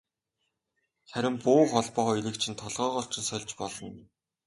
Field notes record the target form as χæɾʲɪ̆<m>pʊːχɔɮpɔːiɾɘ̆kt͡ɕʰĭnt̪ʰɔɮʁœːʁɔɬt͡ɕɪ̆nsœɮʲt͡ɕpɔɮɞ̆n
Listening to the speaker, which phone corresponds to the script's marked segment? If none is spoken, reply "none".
m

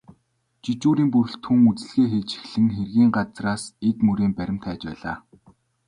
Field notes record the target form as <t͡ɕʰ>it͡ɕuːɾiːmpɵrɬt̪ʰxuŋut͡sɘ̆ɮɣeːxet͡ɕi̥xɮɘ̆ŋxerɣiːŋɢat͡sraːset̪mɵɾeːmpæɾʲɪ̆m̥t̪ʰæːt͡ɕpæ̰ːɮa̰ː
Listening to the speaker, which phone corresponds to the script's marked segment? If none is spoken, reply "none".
t͡ɕ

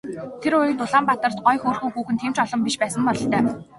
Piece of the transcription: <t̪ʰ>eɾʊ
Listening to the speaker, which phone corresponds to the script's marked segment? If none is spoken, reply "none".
t̪ʰ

